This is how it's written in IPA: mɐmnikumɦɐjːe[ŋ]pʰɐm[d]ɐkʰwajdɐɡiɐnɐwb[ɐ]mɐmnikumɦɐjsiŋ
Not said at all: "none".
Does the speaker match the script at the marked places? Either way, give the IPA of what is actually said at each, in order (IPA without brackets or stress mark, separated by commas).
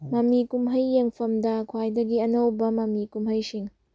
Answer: ŋ, d, ɐ